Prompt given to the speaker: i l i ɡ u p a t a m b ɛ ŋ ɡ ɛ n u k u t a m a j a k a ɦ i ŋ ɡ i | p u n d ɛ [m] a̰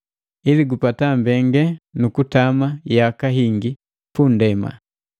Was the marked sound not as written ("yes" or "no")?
no